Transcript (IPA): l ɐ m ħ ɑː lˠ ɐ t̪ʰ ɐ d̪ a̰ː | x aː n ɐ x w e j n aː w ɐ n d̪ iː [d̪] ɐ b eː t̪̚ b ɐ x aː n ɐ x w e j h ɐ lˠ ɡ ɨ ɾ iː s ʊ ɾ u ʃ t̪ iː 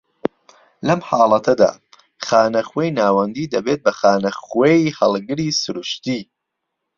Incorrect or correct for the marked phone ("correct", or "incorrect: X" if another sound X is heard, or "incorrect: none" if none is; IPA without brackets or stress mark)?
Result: correct